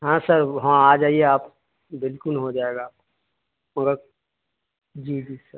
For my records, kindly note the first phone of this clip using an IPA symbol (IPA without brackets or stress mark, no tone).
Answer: ɦ